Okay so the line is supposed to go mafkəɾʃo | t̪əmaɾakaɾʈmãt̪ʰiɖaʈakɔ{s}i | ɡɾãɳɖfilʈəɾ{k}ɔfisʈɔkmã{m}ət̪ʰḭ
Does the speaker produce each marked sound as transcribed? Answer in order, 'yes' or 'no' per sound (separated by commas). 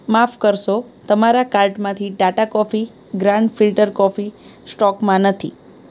no, yes, no